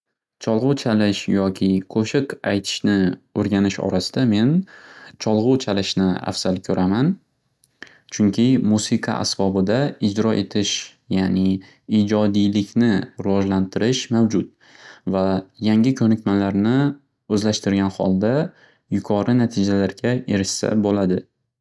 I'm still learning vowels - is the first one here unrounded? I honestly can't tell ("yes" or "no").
no